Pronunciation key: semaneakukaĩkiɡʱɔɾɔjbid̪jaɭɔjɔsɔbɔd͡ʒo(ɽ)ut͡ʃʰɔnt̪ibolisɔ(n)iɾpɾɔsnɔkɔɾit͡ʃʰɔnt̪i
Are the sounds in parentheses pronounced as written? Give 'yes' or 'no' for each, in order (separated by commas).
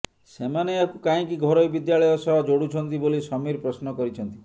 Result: yes, no